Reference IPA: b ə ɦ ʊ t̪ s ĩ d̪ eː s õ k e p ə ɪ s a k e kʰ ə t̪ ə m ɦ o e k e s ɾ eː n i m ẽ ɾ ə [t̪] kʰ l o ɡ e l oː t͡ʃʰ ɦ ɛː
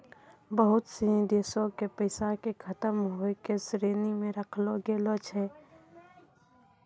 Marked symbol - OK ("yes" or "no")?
no